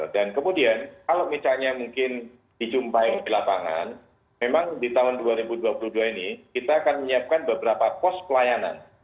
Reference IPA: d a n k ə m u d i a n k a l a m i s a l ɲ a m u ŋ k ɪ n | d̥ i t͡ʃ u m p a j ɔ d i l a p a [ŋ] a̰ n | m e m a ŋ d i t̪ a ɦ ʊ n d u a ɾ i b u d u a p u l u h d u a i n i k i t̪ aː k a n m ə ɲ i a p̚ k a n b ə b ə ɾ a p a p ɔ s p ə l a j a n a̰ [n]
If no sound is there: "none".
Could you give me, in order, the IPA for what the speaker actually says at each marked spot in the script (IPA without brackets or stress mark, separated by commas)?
ŋ, n